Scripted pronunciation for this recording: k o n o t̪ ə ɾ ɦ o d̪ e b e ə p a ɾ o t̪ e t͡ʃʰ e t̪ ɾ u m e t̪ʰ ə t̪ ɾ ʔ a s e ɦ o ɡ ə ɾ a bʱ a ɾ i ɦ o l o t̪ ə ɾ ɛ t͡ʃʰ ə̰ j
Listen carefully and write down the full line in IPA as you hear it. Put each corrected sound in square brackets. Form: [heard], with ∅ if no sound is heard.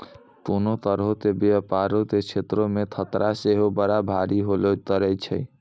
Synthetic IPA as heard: k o n o t̪ ə ɾ ɦ o [t̪] e b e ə p a ɾ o t̪ e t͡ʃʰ e t̪ ɾ [o] m e t̪ʰ ə t̪ ɾ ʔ a s e ɦ o [b] ə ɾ a bʱ a ɾ i ɦ o l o t̪ ə ɾ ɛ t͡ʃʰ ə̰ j

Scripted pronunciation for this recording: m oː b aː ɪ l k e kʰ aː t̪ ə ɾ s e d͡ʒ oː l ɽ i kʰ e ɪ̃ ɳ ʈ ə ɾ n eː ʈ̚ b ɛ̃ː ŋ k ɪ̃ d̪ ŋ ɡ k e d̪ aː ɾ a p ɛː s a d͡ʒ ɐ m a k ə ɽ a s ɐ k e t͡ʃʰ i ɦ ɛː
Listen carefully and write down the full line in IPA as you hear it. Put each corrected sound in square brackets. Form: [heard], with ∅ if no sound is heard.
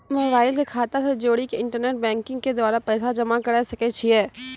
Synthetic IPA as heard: m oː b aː ɪ l k e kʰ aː t̪ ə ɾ s e d͡ʒ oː [∅] ɽ i [k] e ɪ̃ ɳ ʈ ə ɾ n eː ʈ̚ b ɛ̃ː ŋ k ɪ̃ [∅] ŋ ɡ k e d̪ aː ɾ a p ɛː s a d͡ʒ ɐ m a k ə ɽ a s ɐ k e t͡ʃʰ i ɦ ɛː

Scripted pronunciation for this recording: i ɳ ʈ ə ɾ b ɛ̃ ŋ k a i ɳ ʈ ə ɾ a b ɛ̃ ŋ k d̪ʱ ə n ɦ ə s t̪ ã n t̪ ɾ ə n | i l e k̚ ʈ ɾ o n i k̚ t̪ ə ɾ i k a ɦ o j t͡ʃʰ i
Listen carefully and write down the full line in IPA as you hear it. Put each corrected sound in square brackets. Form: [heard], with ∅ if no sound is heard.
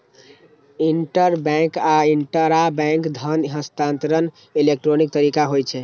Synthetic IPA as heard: i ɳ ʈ ə ɾ b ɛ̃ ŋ k a i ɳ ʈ ə ɾ a b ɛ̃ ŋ k d̪ʱ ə n ɦ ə s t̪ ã n t̪ ɾ ə n | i l e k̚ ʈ ɾ o n i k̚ t̪ ə ɾ i k a ɦ o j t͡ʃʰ [ɛ]

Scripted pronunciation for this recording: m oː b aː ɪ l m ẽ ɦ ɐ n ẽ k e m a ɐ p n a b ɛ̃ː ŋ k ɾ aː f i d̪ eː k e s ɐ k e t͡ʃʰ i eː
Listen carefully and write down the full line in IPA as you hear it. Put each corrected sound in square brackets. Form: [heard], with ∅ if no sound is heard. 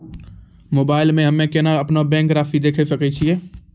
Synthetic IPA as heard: m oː b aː ɪ l m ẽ ɦ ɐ [m] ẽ k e [n] a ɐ p n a b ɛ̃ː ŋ k ɾ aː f i d̪ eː [kʰ] e s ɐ k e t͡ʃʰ i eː

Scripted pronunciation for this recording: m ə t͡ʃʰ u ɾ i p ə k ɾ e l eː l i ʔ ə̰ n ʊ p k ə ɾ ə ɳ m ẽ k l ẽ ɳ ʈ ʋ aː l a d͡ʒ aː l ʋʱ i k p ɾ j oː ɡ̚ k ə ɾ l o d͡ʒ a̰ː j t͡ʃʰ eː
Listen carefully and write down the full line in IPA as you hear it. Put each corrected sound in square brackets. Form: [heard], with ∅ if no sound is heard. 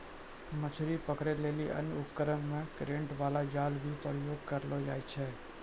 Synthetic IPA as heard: m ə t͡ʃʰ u ɾ i p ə k ɾ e l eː l i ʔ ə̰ n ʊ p k ə ɾ ə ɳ m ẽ k [ɾ] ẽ ɳ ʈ ʋ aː l a d͡ʒ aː l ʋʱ i [∅] p ɾ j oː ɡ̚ k ə ɾ l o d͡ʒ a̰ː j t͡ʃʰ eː

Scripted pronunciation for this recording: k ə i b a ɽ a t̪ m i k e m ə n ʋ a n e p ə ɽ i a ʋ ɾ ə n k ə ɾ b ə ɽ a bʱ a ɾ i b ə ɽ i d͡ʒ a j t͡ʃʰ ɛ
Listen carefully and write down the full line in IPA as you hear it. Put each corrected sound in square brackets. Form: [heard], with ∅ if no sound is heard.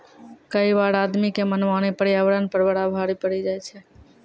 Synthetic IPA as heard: k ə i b a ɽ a [d̪] m i k e m ə n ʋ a n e p ə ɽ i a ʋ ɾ ə n [p] ə ɾ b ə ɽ a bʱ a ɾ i [p] ə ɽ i d͡ʒ a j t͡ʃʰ ɛ

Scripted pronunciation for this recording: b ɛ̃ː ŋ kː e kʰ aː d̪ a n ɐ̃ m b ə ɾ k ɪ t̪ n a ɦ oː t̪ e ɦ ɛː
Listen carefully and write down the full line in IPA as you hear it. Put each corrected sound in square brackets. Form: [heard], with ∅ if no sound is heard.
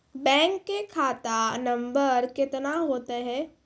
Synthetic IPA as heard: b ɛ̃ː ŋ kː e kʰ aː [t̪] a n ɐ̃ m b ə ɾ k ɪ t̪ n a ɦ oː t̪ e ɦ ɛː

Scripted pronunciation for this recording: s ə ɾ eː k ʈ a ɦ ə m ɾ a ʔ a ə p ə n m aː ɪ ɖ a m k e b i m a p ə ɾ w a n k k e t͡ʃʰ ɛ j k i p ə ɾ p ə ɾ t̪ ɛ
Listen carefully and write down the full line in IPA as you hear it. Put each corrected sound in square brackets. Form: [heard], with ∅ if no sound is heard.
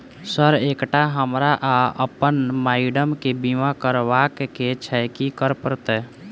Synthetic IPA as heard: s ə ɾ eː k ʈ a ɦ ə m ɾ a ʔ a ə p ə n m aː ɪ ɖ [ə] m k e b i m a [k] ə ɾ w a [∅] k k e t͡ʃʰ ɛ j k i [k] ə ɾ p ə ɾ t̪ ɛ

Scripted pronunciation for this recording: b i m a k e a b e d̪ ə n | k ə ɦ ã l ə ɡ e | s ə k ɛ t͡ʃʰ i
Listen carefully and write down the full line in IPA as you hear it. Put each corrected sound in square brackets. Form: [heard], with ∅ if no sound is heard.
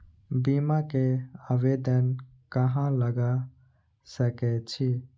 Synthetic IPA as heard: b i m a k e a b e d̪ ə n | k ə ɦ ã l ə ɡ [a] | s ə k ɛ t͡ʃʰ i

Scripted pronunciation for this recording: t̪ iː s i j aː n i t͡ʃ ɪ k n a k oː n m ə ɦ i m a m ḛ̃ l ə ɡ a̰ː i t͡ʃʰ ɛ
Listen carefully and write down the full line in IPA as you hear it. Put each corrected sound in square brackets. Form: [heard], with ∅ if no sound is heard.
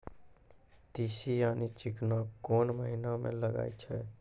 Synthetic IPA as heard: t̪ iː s i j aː n i t͡ʃ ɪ k n a k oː n m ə ɦ i [n] a m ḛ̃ l ə ɡ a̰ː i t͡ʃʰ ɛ

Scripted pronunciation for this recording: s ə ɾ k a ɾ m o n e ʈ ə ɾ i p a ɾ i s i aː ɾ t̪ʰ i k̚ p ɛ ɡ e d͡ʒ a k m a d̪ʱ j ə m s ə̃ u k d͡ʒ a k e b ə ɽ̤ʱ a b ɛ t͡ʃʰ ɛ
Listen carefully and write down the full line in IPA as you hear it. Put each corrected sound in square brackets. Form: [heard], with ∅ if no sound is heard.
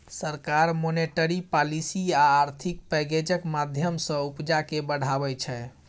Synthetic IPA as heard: s ə ɾ k a ɾ m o n e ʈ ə ɾ i p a [l] i s i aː ɾ t̪ʰ i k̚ p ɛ ɡ e d͡ʒ [ə] k m a d̪ʱ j ə m s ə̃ u [p] d͡ʒ a k e b ə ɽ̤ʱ a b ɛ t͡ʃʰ ɛ

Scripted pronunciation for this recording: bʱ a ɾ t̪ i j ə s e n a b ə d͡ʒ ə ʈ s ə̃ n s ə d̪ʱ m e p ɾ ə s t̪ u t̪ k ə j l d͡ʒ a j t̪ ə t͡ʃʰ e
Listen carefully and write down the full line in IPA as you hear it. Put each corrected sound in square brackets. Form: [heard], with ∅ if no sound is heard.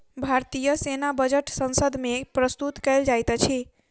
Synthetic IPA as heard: bʱ a ɾ t̪ i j ə s e n a b ə d͡ʒ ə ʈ s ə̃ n s ə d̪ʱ m e p ɾ ə s t̪ u t̪ k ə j l d͡ʒ a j t̪ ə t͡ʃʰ [i]

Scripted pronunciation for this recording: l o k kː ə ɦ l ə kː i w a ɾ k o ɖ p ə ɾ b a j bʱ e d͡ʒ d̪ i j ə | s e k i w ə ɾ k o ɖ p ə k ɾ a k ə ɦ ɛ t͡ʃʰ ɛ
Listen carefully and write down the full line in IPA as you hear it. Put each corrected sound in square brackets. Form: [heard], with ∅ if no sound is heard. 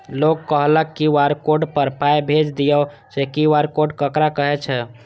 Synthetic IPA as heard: l o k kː ə ɦ l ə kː i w a ɾ k o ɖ p ə ɾ [p] a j bʱ e d͡ʒ d̪ i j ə | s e k i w [a] ɾ k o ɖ [k] ə k ɾ a k ə ɦ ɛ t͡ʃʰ ɛ

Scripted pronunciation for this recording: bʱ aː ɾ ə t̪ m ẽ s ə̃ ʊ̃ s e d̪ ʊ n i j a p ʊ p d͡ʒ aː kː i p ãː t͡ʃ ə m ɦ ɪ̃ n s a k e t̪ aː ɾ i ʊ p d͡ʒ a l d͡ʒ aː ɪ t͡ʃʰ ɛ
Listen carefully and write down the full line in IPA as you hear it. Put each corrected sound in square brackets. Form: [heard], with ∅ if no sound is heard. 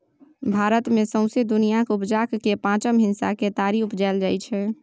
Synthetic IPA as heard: bʱ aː ɾ ə t̪ m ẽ s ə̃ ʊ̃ s e d̪ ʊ n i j a [k] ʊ p d͡ʒ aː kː [e] p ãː t͡ʃ ə m ɦ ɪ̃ n s a k e t̪ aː ɾ i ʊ p d͡ʒ a l d͡ʒ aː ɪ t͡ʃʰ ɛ

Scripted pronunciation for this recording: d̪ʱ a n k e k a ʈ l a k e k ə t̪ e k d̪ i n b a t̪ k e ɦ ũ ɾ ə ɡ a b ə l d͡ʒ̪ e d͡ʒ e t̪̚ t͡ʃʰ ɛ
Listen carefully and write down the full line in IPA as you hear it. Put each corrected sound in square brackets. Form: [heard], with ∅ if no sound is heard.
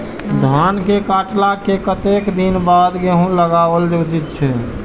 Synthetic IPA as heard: d̪ʱ a n k e k a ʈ l a k e k ə t̪ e k d̪ i n b a [d̪] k e ɦ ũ [l] ə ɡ a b ə l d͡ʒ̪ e d͡ʒ [i] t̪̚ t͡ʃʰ ɛ

